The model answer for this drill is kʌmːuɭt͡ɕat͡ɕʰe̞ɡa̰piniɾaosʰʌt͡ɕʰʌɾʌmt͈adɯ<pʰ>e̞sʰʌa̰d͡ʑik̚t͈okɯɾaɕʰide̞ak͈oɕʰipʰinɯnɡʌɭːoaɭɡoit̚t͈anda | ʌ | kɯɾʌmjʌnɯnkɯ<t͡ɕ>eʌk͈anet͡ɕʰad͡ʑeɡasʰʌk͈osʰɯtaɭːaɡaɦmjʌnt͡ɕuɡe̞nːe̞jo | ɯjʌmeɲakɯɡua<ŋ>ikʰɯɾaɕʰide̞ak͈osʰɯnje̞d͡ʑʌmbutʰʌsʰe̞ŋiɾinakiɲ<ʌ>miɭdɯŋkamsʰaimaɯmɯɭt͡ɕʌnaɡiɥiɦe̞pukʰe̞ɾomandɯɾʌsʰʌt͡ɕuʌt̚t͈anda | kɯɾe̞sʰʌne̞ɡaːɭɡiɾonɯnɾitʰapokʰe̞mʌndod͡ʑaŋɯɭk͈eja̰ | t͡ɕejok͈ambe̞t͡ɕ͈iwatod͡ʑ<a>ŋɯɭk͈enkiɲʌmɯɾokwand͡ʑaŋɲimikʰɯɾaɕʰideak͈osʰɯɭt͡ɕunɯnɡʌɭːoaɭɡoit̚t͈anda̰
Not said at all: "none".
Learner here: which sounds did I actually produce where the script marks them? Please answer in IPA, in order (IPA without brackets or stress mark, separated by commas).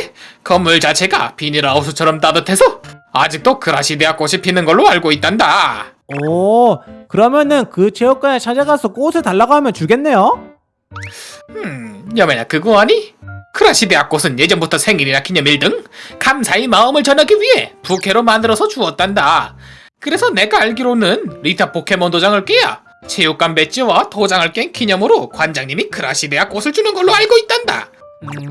tʰ, t͡ɕʰ, ɲ, ʌ, a